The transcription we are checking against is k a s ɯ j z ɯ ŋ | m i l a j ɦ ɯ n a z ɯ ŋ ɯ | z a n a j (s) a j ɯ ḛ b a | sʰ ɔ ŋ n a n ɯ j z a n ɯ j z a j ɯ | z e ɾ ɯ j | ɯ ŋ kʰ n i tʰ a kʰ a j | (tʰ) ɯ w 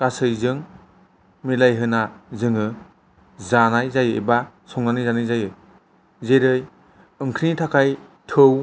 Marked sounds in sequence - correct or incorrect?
incorrect: z, correct

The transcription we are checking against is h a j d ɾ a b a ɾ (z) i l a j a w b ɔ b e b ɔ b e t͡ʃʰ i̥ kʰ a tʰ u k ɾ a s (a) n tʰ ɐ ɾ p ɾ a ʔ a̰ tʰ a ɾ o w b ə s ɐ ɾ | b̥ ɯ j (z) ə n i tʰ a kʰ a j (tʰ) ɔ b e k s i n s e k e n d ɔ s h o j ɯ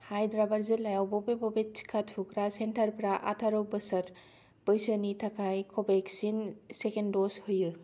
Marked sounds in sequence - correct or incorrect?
correct, incorrect: e, incorrect: s, incorrect: kʰ

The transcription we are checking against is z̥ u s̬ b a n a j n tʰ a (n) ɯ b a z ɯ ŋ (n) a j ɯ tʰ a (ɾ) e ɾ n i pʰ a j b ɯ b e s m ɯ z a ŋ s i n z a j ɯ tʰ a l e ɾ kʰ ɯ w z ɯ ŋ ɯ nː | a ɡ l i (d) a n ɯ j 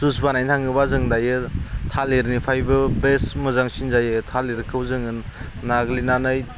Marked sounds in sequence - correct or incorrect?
incorrect: ŋ, incorrect: d, incorrect: l, incorrect: n

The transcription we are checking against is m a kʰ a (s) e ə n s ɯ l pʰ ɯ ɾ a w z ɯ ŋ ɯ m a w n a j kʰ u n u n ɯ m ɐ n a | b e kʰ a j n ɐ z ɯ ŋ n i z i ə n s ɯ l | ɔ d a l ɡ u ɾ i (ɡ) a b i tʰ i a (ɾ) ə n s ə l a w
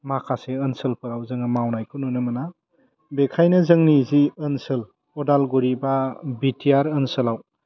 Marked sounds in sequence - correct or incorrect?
correct, incorrect: b, correct

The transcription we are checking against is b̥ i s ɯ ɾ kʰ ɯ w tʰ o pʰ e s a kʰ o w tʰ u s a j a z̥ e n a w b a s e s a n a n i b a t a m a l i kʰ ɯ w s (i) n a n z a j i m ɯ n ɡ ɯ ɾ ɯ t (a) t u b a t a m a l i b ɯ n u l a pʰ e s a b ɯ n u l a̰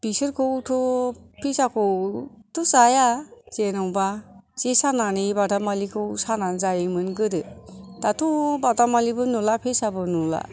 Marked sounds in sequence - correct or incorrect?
incorrect: a, correct

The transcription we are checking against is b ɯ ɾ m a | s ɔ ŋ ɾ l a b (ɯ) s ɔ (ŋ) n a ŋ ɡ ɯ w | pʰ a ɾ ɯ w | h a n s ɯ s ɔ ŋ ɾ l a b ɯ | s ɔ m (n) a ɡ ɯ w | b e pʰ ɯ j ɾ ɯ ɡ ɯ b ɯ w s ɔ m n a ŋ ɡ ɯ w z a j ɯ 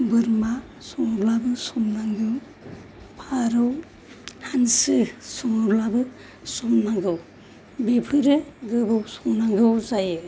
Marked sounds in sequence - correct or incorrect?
correct, incorrect: m, correct

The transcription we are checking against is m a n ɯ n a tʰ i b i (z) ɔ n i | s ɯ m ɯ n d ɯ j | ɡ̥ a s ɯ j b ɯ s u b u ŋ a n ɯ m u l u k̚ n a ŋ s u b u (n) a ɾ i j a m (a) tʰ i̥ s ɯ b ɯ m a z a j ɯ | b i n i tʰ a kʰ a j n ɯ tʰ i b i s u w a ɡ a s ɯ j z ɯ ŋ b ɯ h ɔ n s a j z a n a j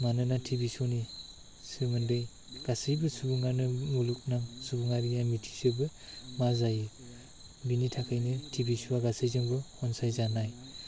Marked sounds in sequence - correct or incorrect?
incorrect: s, incorrect: ŋ, incorrect: i

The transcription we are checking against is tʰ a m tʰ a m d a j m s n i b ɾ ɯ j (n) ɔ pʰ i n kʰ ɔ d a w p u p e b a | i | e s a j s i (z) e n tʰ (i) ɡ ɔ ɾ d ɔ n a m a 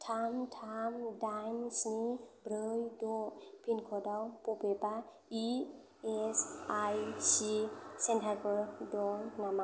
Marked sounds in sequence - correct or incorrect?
incorrect: d, incorrect: s, incorrect: a

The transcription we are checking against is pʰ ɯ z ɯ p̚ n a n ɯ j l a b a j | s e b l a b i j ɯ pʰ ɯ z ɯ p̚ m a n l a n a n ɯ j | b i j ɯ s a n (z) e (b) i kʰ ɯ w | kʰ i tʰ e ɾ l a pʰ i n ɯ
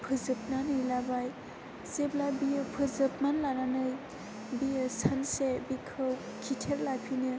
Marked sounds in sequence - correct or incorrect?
incorrect: s, correct

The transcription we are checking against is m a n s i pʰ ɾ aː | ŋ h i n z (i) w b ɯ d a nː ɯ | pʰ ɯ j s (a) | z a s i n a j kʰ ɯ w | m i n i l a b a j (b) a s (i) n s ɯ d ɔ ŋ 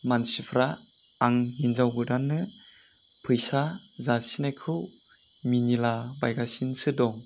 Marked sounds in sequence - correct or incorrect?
incorrect: a, correct, incorrect: ɡ, correct

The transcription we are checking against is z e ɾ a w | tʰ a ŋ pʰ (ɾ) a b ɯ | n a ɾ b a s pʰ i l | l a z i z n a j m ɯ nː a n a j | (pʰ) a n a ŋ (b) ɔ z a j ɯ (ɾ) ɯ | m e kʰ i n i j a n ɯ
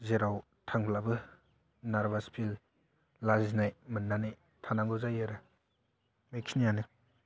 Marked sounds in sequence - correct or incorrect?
incorrect: l, incorrect: tʰ, incorrect: ɡ, correct

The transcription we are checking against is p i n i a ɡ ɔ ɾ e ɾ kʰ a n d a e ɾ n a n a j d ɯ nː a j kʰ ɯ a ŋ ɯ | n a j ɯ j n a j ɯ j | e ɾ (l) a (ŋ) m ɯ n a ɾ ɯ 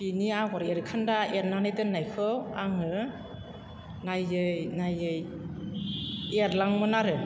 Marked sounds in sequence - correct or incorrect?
correct, correct

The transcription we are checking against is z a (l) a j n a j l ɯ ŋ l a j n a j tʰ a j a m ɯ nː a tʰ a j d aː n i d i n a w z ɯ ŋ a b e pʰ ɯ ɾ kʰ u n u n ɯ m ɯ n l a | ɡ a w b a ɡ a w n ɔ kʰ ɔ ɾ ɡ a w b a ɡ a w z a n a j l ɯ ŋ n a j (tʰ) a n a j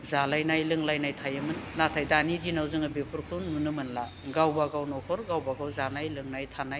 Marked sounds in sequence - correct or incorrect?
correct, correct

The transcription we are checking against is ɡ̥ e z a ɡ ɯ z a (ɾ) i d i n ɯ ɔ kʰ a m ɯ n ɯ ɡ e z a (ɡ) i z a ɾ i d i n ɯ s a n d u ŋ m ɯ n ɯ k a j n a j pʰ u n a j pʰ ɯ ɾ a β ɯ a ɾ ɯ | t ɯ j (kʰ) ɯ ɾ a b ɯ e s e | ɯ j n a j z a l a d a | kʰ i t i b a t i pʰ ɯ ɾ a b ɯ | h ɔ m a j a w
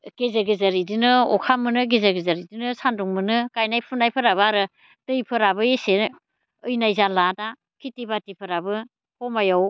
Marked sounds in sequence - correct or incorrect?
correct, correct, incorrect: pʰ

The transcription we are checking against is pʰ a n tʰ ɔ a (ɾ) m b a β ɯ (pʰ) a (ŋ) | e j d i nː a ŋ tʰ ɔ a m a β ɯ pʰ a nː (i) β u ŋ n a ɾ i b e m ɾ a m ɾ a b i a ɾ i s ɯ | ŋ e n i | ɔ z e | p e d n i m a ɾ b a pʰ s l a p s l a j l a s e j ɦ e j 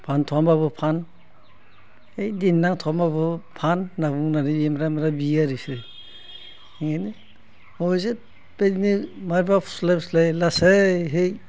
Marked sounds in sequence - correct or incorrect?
incorrect: none, correct, incorrect: n, incorrect: a

